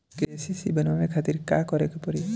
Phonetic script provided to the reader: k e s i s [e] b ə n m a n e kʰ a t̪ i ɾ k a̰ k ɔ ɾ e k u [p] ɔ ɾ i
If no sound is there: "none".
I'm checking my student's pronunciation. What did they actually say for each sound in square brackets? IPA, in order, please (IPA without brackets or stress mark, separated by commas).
i, p